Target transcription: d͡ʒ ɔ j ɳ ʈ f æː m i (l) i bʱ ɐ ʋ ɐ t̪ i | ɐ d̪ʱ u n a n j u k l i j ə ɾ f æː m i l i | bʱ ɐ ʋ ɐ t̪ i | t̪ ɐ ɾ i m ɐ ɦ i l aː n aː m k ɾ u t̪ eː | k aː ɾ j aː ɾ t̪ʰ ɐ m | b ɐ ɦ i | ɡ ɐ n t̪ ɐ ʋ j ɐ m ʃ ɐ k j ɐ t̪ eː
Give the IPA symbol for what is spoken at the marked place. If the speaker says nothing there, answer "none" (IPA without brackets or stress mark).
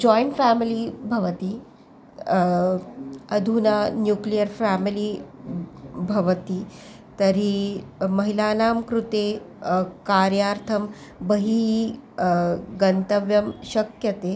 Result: l